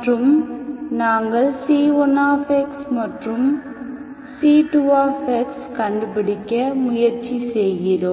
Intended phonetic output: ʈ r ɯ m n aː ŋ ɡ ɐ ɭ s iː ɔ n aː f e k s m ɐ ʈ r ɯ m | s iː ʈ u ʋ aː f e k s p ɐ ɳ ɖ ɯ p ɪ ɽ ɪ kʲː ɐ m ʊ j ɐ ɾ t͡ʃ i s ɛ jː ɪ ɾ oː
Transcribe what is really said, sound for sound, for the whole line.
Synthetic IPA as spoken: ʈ r ɯ m n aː ŋ ɡ ɐ ɭ s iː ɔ n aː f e k s m ɐ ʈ r ɯ m | s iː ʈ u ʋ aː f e k s k ɐ ɳ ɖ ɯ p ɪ ɽ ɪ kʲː ɐ m ʊ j ɐ ɾ t͡ʃ i s ɛ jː ɪ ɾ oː